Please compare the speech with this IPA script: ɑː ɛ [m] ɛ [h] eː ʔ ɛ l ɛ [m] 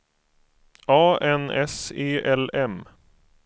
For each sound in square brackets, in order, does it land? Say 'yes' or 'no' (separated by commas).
no, no, yes